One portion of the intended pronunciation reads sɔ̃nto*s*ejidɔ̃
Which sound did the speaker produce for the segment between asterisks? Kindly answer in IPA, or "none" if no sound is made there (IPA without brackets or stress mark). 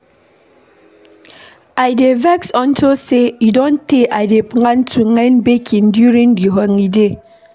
s